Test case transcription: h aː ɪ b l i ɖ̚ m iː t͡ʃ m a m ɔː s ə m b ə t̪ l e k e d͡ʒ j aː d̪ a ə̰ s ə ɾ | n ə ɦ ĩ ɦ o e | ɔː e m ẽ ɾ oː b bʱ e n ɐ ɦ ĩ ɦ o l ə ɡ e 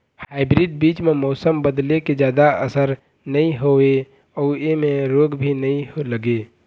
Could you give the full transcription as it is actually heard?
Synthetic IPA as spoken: h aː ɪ b ɾ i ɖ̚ b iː t͡ʃ m e m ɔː s ə m b ə d̪ l e k e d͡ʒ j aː d̪ a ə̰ s ə ɾ | n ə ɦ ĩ ɦ o e | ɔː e m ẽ ɾ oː ɡ bʱ i n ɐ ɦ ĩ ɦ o l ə ɡ e